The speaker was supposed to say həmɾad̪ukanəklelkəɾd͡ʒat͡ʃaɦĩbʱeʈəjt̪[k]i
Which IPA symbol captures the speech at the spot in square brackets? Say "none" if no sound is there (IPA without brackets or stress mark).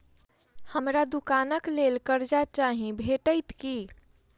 k